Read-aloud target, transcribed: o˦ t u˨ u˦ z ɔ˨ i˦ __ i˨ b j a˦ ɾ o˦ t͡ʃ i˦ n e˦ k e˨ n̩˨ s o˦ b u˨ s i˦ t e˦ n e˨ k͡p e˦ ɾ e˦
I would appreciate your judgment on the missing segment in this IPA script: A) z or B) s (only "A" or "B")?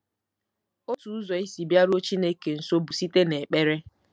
B